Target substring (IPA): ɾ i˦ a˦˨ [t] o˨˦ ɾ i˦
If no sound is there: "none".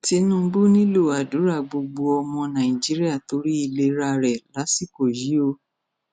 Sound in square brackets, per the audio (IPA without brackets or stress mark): t